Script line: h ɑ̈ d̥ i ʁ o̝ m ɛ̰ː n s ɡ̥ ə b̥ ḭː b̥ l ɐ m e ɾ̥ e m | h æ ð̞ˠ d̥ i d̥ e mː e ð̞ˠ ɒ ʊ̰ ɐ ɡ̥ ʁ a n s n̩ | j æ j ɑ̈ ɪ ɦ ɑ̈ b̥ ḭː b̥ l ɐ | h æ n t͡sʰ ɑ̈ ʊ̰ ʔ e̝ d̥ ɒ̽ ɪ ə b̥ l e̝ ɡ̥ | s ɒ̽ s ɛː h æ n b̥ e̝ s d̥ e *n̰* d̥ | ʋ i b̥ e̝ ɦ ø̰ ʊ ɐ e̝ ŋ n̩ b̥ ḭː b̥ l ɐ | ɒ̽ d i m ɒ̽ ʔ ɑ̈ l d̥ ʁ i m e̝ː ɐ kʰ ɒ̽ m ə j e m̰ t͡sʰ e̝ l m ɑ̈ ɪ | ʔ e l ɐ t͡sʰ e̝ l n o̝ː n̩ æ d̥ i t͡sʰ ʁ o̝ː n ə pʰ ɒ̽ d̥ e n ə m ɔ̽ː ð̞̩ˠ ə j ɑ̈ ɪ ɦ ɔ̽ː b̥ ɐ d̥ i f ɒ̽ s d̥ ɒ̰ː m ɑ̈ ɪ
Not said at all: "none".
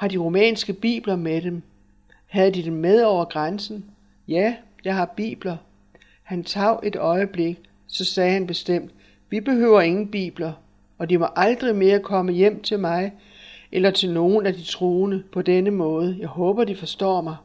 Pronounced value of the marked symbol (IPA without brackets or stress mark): m̰